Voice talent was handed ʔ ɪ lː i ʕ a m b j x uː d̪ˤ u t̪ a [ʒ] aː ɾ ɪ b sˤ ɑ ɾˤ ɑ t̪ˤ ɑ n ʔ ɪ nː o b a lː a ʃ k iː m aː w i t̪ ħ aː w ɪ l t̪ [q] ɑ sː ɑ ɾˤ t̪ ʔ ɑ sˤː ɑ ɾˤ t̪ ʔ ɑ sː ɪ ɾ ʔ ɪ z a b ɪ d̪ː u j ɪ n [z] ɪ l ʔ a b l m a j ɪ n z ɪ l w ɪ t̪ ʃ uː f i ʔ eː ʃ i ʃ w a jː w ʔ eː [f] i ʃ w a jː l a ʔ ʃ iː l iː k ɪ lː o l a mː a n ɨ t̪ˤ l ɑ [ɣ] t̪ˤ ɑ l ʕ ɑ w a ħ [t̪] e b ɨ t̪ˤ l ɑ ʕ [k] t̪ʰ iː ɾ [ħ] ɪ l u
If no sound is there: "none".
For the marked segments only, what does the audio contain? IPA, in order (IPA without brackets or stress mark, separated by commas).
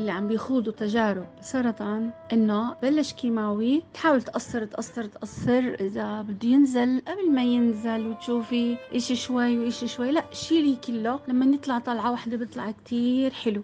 ʒ, ʔ, z, ʃ, ʕ, d̪, k, ħ